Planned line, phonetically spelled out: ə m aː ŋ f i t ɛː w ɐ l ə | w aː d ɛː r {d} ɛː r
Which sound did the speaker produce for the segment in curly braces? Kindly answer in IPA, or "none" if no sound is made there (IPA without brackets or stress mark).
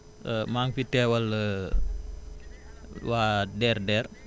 d